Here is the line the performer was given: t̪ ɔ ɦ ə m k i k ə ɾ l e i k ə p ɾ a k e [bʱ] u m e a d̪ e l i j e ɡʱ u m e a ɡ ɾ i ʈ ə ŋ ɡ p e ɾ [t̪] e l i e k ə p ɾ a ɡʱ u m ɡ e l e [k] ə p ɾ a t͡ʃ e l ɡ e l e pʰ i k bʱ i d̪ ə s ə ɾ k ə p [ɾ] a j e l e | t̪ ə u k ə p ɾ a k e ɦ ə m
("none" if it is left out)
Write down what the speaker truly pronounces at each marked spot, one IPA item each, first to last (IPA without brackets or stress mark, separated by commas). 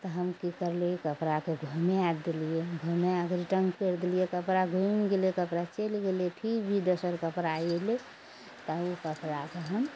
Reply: ɡʱ, d̪, k, ɾ